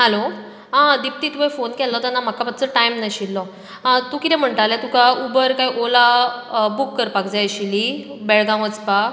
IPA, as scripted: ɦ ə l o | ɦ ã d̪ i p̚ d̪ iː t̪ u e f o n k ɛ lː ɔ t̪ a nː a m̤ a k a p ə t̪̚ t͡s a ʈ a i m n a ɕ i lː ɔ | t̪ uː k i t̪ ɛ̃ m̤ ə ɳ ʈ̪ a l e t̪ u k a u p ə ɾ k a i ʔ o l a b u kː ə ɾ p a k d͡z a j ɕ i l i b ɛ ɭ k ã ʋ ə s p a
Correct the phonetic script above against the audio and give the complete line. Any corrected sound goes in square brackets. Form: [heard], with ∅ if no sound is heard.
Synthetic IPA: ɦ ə l o | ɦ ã d̪ i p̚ [t̪] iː t̪ u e f o n k ɛ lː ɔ t̪ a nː a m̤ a k a p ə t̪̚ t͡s [ə] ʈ a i m n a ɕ i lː ɔ | t̪ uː k i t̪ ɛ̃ m̤ ə ɳ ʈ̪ a l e t̪ u k a u [b] ə ɾ k a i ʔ o l a b u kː ə ɾ p a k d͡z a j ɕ i l i b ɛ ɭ [ɡ] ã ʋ ə [t͡s] p a